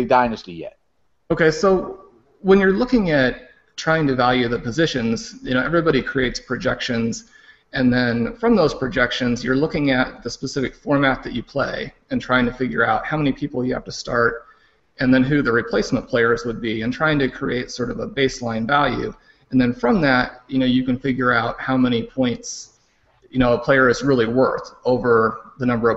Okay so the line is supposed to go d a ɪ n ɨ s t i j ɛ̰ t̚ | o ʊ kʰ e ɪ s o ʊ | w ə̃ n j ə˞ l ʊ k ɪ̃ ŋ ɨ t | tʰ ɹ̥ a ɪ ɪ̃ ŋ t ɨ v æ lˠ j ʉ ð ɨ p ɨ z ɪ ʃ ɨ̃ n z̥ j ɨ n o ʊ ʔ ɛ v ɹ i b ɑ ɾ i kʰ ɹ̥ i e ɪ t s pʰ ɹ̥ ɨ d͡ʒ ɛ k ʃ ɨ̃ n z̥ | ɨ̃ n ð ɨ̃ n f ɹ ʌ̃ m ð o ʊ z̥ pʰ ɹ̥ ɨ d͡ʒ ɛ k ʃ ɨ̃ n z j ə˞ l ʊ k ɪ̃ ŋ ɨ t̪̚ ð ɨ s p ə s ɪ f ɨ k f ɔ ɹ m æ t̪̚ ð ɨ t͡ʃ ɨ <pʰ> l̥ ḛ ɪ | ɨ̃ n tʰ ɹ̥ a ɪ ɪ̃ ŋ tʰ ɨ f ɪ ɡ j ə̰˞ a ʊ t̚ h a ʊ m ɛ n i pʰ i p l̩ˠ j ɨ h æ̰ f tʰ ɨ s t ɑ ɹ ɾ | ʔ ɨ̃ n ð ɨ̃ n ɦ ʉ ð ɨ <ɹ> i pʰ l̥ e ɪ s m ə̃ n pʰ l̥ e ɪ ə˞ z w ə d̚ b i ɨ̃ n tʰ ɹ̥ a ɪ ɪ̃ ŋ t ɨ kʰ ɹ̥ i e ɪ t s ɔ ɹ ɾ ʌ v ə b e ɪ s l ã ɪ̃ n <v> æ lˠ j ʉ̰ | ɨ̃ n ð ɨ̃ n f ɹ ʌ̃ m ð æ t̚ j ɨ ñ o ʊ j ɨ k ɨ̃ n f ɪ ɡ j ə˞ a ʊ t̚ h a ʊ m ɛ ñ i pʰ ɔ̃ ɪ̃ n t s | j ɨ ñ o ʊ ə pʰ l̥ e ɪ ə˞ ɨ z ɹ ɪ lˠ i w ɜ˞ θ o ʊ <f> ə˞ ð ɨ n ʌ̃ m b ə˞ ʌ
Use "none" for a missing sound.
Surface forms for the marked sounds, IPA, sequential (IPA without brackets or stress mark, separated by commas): pʰ, ɹ, v, v